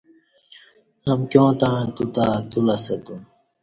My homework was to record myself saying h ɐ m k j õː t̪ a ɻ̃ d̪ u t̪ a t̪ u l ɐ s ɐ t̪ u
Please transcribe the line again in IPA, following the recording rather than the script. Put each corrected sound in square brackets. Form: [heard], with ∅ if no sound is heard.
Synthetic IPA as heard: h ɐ m k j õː t̪ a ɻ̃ [t̪] u t̪ a t̪ u l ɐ s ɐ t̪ u